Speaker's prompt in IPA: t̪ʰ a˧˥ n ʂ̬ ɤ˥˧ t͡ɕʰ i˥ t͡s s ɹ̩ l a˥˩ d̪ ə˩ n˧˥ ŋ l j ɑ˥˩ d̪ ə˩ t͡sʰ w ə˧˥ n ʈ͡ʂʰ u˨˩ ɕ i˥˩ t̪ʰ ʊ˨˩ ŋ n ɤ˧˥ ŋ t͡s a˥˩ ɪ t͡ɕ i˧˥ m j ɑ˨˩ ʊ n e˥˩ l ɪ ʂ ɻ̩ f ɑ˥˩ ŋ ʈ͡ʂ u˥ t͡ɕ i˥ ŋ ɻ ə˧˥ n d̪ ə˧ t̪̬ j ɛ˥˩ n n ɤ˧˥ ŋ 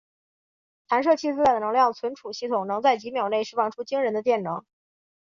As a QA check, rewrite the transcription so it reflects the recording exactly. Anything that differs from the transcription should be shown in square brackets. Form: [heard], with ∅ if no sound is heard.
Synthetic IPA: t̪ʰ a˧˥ n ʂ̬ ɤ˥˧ t͡ɕʰ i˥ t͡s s ɹ̩ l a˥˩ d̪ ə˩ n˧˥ ŋ l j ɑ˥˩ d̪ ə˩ t͡sʰ w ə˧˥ n ʈ͡ʂʰ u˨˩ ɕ i˥˩ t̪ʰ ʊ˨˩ ŋ n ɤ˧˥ ŋ t͡s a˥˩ ɪ t͡ɕ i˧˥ m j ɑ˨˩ ʊ n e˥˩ [∅] ɪ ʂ ɻ̩ f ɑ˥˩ ŋ [ʈ͡ʂʰ] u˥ t͡ɕ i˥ ŋ ɻ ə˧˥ n d̪ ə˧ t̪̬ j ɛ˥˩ n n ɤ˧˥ ŋ